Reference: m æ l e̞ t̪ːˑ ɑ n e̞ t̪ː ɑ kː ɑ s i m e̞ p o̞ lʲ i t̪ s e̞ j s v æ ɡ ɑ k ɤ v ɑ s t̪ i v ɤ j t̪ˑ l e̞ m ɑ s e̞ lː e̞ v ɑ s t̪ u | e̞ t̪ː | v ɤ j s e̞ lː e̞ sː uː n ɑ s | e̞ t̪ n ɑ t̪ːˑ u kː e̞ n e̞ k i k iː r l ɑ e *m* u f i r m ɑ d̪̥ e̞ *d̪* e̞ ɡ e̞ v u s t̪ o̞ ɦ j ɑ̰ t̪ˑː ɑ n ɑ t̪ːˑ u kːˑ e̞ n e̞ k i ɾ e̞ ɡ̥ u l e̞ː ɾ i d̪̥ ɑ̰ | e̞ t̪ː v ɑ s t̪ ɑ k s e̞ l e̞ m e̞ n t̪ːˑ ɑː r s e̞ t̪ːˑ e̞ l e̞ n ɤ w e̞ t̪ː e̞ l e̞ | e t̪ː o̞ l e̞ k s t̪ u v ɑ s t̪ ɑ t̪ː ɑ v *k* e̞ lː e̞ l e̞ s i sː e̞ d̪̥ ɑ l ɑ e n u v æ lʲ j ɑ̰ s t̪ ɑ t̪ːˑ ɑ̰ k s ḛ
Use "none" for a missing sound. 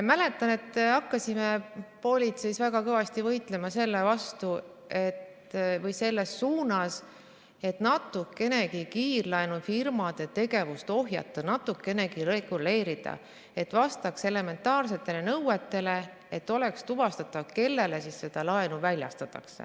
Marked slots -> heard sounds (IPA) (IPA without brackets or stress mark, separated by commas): n, t̪, k